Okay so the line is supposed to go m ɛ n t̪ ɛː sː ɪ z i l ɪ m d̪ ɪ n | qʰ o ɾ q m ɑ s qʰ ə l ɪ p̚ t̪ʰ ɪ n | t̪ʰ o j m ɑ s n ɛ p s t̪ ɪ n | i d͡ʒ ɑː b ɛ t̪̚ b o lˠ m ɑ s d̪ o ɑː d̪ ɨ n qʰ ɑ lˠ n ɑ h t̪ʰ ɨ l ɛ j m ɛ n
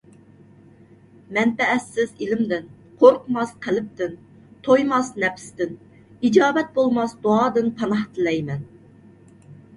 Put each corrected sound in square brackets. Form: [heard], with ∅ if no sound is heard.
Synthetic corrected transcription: m ɛ n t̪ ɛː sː ɪ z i l ɪ m d̪ ɪ n | qʰ o ɾ q m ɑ s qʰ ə l ɪ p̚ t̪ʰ ɪ n | t̪ʰ o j m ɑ s n ɛ p s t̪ ɪ n | i d͡ʒ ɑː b ɛ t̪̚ b o lˠ m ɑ s d̪ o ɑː d̪ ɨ n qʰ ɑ [∅] n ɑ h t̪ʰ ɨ l ɛ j m ɛ n